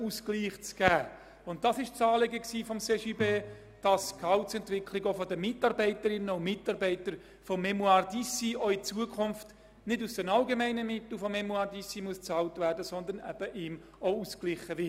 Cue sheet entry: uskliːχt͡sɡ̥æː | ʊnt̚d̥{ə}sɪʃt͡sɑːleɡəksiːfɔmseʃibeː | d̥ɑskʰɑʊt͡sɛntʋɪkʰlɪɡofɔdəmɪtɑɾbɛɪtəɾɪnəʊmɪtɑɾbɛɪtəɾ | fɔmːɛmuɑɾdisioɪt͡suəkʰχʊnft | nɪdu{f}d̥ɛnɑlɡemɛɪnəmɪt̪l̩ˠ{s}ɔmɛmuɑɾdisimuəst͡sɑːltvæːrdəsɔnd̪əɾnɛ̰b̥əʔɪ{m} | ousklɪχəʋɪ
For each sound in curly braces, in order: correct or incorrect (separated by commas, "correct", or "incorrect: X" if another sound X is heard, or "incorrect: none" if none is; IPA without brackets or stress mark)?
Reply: incorrect: ɑ, incorrect: s, incorrect: f, correct